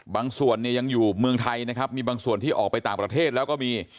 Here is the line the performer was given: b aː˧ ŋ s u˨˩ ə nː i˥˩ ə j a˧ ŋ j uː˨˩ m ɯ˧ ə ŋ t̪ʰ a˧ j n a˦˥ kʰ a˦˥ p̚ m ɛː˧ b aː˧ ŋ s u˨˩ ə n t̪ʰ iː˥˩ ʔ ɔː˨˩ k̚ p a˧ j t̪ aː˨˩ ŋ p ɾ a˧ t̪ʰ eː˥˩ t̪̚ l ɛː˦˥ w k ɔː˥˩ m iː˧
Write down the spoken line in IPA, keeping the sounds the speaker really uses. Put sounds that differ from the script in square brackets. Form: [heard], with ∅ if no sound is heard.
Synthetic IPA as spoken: b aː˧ ŋ s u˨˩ ə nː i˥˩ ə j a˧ ŋ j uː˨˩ m ɯ˧ ə ŋ t̪ʰ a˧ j n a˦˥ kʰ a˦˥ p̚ m [iː˧] b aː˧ ŋ s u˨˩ ə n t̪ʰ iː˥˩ ʔ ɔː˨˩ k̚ p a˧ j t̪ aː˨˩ ŋ p ɾ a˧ t̪ʰ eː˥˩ t̪̚ l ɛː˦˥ w k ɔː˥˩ m iː˧